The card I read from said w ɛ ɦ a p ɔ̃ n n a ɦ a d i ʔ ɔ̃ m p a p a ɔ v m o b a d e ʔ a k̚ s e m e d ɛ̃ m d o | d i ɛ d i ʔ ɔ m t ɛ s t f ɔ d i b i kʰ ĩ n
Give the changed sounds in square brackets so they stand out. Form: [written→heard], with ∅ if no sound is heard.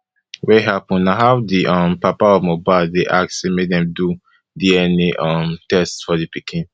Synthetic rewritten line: w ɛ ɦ a p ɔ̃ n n a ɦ a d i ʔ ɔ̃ m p a p a ɔ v m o b a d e ʔ a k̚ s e m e d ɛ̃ m d [o→u] | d i ɛ [d→n] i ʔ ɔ m t ɛ s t f ɔ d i [b→p] i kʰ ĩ n